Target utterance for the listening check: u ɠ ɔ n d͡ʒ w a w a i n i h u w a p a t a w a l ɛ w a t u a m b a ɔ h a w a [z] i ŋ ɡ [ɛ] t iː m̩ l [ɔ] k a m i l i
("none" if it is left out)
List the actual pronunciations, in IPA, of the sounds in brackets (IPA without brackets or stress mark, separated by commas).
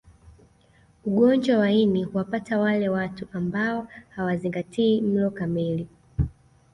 z, a, ɔ